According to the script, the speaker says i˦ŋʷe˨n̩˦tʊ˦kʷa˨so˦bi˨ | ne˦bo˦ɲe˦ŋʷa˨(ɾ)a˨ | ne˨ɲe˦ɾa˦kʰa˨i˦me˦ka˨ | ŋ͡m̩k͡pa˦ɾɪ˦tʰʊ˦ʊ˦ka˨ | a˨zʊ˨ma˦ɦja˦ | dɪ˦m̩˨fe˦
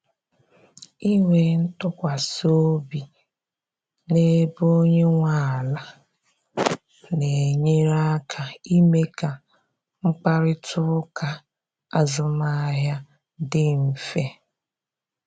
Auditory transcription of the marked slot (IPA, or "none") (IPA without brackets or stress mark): l